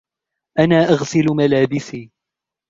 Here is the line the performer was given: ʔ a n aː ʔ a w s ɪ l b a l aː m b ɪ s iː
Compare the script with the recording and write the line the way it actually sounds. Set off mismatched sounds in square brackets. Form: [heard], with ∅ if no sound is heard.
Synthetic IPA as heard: ʔ a n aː ʔ a [ɣ] s ɪ l [m] a l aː [∅] b ɪ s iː